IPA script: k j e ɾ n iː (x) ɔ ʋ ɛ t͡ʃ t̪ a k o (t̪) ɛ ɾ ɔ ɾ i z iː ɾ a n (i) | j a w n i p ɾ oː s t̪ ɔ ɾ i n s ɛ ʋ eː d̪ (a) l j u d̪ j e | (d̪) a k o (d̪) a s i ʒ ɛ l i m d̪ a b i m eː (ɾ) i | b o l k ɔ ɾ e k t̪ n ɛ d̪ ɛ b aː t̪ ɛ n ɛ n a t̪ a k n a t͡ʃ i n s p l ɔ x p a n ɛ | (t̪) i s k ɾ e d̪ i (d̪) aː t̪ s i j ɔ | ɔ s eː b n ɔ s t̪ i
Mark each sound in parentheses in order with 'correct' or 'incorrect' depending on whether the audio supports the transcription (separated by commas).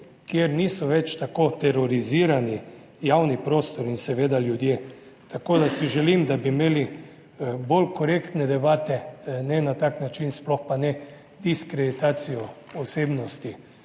incorrect, correct, correct, correct, incorrect, correct, incorrect, incorrect, incorrect